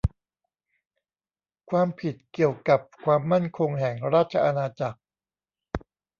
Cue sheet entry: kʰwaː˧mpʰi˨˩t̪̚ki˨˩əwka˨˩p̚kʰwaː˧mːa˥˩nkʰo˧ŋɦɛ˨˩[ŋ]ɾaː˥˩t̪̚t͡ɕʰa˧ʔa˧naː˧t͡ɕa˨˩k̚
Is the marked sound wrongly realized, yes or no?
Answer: no